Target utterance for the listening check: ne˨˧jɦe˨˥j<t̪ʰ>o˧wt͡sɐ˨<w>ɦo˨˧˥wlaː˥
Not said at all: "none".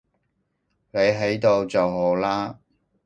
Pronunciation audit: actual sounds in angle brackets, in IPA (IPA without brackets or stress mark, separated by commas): t̪, w